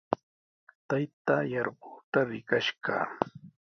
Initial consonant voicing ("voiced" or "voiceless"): voiceless